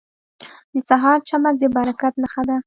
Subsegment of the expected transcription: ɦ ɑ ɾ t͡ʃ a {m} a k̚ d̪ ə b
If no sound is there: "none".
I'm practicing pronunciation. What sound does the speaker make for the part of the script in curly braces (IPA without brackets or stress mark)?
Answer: m